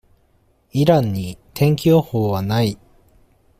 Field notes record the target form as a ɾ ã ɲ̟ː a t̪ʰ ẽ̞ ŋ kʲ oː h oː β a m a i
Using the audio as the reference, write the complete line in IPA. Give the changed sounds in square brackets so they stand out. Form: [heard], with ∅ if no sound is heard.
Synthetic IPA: [i] ɾ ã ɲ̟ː [i] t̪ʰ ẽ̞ ŋ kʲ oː h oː β a [n] a i